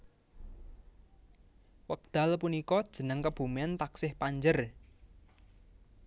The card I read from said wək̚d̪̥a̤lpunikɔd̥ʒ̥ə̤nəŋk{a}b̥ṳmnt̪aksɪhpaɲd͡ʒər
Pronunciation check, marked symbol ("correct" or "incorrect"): incorrect